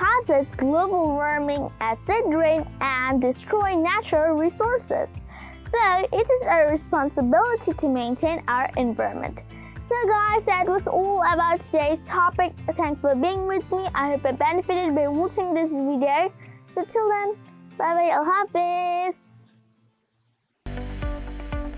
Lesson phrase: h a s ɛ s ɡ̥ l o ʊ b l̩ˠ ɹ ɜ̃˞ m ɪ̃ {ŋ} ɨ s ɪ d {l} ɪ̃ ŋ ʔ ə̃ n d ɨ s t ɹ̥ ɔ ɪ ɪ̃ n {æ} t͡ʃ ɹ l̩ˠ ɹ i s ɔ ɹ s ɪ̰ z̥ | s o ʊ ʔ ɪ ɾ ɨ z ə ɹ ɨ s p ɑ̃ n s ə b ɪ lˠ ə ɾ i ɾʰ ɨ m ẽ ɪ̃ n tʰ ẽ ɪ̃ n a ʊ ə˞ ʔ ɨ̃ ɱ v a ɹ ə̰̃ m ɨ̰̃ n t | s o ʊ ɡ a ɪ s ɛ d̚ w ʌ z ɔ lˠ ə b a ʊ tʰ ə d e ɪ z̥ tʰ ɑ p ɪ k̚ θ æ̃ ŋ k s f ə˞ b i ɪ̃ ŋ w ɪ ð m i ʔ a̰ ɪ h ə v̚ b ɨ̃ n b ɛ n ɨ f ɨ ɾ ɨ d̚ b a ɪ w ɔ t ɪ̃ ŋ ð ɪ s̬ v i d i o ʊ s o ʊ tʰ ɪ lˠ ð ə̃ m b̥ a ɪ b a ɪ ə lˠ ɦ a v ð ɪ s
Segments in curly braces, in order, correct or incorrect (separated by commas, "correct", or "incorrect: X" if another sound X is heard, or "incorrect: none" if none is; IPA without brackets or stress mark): correct, incorrect: ɹ, correct